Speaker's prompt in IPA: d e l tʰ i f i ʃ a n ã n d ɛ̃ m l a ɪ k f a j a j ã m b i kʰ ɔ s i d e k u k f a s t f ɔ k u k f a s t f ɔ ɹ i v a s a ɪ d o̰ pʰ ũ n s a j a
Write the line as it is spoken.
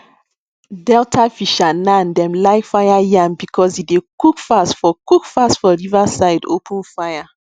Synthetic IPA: d ɛ l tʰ a f i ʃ a n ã n d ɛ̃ m l a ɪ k f a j a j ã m b i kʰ ɔ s i d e k u k f a s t f ɔ k u k f a s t f ɔ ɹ i v a s a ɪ d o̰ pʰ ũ n f a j a